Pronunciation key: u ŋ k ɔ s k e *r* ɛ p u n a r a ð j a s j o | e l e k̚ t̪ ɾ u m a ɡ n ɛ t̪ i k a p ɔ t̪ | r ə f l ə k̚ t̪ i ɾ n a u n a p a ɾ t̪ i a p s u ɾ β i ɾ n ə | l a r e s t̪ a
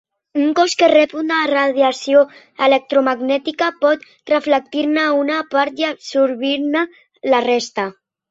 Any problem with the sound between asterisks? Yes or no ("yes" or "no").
no